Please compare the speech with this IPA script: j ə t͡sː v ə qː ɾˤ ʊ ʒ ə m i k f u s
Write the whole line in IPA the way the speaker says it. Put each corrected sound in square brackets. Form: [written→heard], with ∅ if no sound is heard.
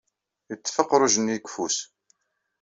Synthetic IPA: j ə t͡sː [v→f] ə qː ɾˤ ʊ ʒ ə [m→n] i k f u s